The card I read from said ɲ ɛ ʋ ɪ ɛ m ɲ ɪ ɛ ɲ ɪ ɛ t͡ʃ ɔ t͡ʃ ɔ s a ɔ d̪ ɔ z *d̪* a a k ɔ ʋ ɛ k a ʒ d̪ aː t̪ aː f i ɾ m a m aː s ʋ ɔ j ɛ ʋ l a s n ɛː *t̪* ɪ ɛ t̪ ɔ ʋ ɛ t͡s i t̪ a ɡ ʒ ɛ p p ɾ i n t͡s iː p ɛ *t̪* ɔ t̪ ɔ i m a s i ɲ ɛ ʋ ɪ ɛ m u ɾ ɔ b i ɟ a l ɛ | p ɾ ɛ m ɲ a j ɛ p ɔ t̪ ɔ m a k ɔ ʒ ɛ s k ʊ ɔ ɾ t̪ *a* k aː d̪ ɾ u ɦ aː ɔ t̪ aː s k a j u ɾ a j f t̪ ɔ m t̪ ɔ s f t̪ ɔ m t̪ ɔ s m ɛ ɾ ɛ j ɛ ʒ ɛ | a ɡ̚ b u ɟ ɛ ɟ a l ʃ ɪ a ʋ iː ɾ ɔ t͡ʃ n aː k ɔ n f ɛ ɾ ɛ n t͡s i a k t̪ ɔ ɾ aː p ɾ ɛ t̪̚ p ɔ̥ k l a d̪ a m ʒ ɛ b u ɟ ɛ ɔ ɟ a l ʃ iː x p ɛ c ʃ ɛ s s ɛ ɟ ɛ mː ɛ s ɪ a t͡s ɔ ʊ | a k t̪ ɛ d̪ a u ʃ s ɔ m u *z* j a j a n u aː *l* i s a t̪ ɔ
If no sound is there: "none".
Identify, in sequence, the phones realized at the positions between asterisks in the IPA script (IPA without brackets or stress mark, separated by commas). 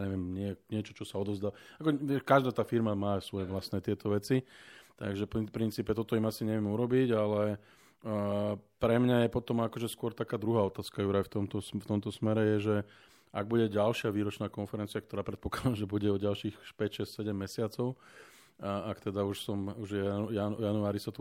d̪, t̪, t̪, a, ʒ, ɾ